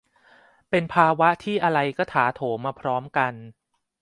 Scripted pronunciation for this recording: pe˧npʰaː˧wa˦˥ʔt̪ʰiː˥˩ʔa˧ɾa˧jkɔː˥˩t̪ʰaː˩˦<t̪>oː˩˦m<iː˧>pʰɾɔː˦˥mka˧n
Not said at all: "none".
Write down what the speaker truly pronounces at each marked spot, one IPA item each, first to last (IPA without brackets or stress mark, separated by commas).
t̪ʰ, aː˧